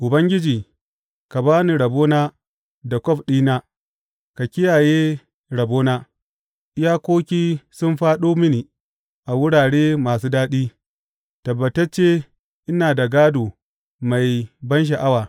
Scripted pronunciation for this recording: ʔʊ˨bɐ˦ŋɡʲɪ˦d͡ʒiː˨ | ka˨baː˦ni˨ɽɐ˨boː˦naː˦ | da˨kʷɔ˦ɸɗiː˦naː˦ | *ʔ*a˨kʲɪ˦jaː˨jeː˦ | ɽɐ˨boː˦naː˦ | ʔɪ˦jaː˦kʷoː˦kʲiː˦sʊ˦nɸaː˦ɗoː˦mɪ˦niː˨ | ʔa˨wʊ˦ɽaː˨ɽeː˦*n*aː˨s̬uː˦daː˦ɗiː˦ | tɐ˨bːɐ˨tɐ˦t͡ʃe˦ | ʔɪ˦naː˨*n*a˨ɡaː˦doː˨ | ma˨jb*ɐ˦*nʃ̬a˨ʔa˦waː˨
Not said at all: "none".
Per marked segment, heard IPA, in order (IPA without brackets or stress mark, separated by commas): k, m, d, ɐ˦